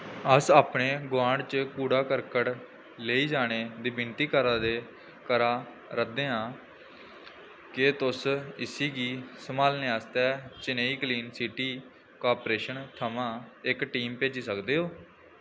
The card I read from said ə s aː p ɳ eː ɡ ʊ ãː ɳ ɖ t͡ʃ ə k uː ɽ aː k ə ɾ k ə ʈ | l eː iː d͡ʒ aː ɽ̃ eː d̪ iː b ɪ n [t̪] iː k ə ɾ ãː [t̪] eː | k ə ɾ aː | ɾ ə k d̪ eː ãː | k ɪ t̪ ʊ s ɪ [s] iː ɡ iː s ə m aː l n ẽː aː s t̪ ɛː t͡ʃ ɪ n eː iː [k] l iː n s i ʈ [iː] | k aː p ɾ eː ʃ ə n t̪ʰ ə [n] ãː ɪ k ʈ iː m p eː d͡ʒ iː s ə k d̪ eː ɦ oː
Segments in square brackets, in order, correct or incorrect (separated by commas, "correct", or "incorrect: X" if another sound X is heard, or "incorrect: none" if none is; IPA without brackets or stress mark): correct, incorrect: d̪, correct, correct, correct, incorrect: m